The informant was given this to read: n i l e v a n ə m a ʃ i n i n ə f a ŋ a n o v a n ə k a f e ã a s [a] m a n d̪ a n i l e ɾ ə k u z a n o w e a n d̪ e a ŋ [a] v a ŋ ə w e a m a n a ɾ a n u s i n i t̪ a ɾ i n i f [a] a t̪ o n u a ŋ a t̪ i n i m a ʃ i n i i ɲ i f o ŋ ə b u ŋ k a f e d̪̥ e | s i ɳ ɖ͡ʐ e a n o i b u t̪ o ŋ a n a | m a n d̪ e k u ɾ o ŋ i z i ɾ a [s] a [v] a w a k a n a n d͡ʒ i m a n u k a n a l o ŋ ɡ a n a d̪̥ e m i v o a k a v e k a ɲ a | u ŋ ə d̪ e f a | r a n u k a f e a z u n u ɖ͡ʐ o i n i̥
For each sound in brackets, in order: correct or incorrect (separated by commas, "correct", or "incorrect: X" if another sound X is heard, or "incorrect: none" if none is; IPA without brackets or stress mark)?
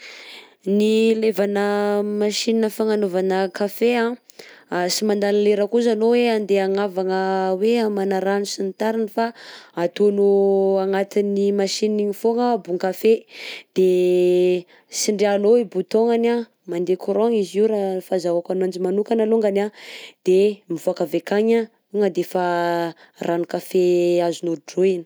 incorrect: i, correct, correct, incorrect: f, incorrect: z